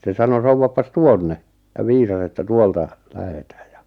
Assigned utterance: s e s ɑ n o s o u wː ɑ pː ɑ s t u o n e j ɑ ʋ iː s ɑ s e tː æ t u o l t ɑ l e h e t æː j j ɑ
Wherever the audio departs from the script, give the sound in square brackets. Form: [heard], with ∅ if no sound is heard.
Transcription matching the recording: s e s ɑ n o s o u wː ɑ pː ɑ s t u o [nː] e j ɑ ʋ iː s ɑ s e tː æ t u o l t ɑ l [æ] h e t æː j j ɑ